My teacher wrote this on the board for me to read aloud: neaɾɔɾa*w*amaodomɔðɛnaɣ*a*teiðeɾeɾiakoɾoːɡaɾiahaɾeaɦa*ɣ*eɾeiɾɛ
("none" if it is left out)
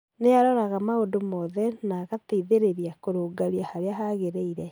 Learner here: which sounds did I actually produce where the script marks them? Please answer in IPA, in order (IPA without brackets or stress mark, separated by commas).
ɣ, a, ɣ